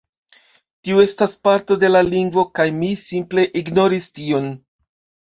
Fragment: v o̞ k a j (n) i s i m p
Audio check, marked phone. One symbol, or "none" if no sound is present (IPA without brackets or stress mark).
m